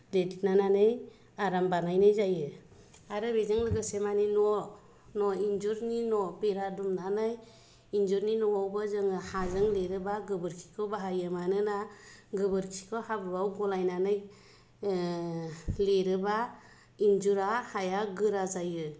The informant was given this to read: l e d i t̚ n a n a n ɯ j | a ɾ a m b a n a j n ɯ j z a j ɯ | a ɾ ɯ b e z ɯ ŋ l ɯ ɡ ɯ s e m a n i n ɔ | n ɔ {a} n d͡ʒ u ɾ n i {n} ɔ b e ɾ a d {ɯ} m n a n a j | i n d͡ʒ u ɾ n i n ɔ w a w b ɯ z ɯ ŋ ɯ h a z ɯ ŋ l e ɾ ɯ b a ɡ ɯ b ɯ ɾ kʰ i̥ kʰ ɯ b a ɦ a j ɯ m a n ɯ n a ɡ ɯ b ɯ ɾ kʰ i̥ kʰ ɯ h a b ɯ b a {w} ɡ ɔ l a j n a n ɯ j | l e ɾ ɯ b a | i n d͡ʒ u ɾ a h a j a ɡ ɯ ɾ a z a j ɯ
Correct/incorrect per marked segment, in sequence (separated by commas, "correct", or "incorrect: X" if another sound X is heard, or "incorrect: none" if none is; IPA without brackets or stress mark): incorrect: i, correct, incorrect: u, correct